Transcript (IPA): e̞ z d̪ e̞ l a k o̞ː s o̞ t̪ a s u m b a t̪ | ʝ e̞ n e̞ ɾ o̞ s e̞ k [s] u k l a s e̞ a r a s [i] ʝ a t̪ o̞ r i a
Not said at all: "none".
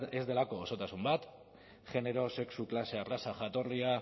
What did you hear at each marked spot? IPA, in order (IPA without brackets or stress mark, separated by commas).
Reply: s, a